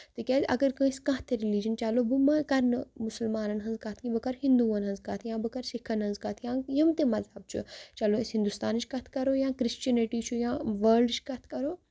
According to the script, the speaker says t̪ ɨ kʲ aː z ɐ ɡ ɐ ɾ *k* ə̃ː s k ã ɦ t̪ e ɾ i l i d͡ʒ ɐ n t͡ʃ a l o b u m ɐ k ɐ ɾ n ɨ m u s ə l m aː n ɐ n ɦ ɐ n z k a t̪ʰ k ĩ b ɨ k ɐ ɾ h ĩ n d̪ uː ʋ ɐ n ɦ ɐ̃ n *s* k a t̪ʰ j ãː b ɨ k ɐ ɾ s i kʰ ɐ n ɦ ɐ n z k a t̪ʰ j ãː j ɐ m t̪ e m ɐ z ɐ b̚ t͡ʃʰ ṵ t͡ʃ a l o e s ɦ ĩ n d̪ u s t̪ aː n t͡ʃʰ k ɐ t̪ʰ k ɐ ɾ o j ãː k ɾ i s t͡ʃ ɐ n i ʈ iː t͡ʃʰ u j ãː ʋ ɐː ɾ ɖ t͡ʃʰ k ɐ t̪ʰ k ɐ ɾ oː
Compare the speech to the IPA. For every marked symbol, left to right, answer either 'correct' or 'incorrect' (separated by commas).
correct, incorrect